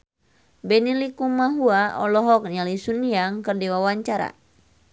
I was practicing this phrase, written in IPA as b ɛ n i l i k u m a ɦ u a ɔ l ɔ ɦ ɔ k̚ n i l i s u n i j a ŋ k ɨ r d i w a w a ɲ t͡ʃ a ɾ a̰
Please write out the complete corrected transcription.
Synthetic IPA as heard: b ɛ n i l i k u m a ɦ u a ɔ l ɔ ɦ ɔ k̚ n a l i s u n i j a ŋ k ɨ r d i w a w a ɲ t͡ʃ a ɾ a̰